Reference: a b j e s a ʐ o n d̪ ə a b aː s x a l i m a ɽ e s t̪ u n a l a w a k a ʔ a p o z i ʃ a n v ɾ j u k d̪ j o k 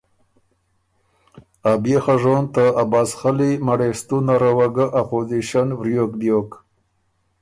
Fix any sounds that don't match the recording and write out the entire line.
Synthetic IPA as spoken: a b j e x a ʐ o n t̪ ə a b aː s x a l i m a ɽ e s t̪ u n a ɾ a w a ɡ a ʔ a p o z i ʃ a n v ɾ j o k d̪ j o k